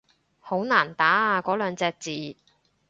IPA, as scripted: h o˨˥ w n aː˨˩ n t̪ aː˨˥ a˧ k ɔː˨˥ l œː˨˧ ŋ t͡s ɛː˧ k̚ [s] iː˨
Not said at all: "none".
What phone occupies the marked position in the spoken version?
t͡s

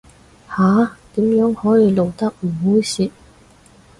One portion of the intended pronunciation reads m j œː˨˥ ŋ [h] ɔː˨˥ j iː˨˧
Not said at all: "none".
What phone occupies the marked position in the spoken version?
h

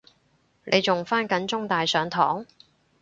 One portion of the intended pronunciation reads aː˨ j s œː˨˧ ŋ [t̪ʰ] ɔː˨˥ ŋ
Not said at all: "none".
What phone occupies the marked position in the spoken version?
t̪ʰ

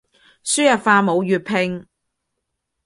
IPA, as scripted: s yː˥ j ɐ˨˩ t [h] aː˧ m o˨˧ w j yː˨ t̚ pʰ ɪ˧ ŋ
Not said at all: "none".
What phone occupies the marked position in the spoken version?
f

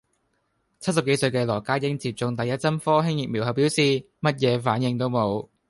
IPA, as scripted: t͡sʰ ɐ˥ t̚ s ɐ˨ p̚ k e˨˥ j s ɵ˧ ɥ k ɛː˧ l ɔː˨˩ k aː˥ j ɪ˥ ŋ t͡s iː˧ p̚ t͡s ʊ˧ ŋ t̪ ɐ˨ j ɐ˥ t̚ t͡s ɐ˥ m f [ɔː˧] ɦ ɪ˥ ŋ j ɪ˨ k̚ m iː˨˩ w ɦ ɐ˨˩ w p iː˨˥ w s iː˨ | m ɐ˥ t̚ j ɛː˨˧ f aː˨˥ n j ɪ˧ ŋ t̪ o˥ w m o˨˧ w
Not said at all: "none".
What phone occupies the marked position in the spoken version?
ɔː˥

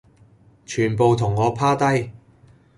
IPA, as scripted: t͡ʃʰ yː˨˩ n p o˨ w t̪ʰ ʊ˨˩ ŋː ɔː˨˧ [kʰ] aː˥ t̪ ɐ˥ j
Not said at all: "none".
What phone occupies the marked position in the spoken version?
pʰ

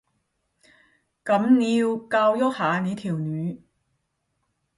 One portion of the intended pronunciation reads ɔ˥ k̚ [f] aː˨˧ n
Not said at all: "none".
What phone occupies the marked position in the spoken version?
h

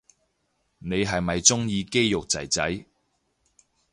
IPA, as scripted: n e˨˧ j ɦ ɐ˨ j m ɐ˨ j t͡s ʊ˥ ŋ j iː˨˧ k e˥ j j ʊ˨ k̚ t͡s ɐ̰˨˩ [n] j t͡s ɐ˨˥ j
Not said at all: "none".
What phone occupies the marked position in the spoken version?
none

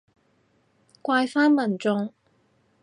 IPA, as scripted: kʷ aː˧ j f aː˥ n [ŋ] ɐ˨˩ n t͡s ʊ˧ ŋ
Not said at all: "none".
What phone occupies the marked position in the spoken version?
m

